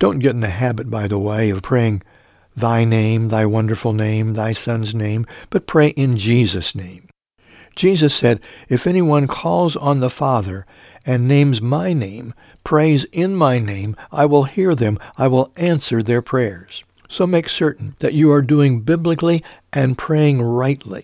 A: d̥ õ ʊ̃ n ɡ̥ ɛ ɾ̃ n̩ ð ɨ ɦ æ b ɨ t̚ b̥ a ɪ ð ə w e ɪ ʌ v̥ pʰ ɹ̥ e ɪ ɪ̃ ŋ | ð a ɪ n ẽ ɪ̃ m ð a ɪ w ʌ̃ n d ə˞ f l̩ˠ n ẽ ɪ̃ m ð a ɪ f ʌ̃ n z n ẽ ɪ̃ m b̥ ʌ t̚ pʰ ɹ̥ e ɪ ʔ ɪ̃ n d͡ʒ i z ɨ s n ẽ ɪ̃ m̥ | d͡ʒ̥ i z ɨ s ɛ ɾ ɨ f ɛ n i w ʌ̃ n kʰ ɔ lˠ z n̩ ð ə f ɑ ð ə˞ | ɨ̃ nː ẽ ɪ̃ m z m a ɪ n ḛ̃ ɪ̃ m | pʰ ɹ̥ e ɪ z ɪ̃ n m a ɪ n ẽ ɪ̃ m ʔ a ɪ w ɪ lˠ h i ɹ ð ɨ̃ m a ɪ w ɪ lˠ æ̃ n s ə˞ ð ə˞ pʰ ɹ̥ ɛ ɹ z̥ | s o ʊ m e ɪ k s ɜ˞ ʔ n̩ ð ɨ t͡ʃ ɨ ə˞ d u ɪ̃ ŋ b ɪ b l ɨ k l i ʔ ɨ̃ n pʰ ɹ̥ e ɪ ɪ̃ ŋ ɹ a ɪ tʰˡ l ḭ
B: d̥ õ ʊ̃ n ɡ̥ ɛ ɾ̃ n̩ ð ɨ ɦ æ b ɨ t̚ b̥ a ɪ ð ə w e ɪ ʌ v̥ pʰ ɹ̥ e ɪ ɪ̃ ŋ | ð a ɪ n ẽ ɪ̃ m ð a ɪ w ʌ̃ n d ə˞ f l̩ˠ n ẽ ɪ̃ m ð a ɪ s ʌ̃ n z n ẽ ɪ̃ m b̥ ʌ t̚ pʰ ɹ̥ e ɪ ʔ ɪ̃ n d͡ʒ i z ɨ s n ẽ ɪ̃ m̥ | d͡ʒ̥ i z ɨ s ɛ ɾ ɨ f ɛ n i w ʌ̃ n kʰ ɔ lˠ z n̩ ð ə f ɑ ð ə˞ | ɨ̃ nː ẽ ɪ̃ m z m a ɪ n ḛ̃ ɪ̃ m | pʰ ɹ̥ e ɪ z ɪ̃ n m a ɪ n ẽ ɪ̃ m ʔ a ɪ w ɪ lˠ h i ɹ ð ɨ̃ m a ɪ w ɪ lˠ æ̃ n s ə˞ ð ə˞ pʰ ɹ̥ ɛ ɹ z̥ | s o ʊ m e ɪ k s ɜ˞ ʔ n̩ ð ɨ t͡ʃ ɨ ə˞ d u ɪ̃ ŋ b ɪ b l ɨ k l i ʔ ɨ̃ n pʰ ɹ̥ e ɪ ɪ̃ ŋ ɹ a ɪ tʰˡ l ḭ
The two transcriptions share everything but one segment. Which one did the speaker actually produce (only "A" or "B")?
B